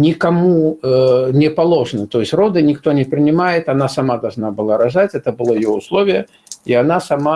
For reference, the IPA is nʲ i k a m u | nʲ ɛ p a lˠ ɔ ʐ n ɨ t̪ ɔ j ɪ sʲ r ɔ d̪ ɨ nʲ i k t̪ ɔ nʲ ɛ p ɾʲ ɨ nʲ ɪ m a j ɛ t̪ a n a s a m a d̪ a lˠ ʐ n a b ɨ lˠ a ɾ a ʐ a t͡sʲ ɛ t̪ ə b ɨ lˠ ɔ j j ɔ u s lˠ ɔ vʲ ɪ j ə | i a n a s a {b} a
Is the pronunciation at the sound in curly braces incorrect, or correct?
incorrect